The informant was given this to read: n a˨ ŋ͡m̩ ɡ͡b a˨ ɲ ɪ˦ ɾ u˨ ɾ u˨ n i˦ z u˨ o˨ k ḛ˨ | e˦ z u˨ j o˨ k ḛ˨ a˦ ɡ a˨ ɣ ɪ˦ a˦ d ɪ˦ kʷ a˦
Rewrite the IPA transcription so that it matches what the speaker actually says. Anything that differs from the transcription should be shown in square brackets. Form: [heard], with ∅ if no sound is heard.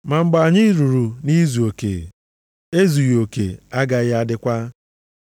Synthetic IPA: [m] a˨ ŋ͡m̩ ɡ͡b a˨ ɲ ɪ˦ ɾ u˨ ɾ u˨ n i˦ z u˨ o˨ k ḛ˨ | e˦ z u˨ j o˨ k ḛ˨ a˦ ɡ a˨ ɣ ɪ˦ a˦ d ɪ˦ kʷ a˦